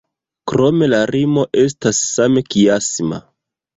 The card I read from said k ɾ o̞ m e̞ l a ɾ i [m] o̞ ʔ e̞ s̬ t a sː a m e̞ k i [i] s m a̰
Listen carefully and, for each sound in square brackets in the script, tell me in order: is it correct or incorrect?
correct, incorrect: a

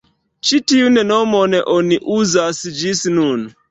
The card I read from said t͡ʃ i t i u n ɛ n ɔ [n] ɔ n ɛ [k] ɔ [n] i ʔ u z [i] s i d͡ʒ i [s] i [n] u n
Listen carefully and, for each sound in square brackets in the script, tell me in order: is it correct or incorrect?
incorrect: m, incorrect: ʔ, correct, incorrect: a, correct, correct

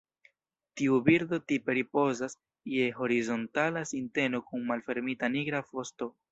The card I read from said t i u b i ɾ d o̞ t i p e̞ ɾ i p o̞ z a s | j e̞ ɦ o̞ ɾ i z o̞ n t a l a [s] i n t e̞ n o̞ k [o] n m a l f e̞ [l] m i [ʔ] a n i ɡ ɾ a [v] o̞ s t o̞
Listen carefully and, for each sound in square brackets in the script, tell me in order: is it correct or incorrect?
correct, incorrect: u, incorrect: ɾ, incorrect: t, incorrect: f

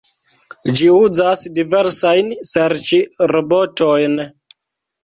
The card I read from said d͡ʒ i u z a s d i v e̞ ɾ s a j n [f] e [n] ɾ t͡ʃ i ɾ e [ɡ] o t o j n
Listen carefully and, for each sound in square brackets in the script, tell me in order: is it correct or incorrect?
incorrect: s, incorrect: none, incorrect: b

